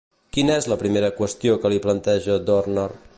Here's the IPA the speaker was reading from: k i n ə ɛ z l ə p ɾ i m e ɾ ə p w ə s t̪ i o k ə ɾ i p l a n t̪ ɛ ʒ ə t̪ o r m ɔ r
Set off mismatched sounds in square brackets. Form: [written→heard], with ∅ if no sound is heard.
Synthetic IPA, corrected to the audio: k i n ə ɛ z l ə p ɾ i m e ɾ ə [p→k] w ə s t̪ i o k ə [ɾ→l] i p l [a→ə] n t̪ ɛ ʒ ə [t̪→d̪] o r [m→n] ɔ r